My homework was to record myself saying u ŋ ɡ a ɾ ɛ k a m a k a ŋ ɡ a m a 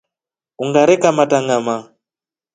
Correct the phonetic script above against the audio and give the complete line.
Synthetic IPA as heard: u ŋ ɡ a ɾ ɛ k a m a t a ŋ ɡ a m a